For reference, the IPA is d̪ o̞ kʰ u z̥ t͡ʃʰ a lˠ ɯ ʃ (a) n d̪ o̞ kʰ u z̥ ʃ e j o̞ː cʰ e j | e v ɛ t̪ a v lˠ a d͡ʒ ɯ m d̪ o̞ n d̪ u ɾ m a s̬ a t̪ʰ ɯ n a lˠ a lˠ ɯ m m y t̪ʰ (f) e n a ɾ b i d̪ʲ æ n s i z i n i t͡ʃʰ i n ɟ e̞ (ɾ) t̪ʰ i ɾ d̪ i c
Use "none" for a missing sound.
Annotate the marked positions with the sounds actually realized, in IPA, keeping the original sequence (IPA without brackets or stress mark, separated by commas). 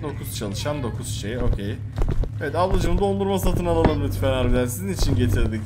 a, f, none